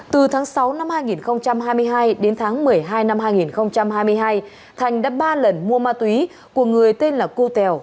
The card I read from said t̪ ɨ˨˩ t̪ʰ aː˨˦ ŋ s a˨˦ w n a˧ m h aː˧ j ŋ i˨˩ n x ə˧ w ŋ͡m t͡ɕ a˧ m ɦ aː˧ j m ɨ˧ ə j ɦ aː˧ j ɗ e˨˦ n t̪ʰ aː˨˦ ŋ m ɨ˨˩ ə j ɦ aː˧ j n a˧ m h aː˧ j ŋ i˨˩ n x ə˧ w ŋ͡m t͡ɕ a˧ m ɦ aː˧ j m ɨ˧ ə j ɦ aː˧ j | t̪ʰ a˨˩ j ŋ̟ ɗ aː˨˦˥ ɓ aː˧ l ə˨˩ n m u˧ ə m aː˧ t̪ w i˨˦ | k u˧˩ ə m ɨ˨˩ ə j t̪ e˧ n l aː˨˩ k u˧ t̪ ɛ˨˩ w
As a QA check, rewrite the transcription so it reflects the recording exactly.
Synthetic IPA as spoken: t̪ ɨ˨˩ t̪ʰ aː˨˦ ŋ s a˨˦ w n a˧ m h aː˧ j ŋ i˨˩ n x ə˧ w ŋ͡m t͡ɕ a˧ m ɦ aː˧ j m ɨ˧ ə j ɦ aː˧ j ɗ e˨˦ n t̪ʰ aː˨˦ ŋ m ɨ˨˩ ə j ɦ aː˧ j n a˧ m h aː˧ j ŋ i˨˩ n x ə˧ w ŋ͡m t͡ɕ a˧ m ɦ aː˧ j m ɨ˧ ə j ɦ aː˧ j | t̪ʰ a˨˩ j ŋ̟ ɗ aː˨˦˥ ɓ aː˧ l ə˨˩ n m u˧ ə m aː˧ t̪ w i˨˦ | k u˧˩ ə ŋ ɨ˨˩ ə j t̪ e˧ n l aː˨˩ k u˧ t̪ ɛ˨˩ w